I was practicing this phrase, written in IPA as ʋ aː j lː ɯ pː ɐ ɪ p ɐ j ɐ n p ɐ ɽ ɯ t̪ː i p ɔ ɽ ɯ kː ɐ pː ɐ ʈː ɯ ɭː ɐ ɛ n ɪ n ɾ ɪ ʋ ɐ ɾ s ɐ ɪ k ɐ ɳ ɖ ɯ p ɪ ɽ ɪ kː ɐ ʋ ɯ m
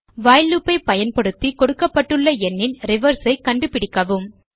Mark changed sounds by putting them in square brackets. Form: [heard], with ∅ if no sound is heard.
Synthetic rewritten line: ʋ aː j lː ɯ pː ɐ ɪ p ɐ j ɐ n p ɐ ɽ ɯ t̪ː i [k] ɔ ɽ ɯ kː ɐ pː ɐ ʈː ɯ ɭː ɐ ɛ [nː] ɪ n ɾ ɪ ʋ ɐ ɾ s ɐ ɪ k ɐ ɳ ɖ ɯ p ɪ ɽ ɪ kː ɐ ʋ ɯ m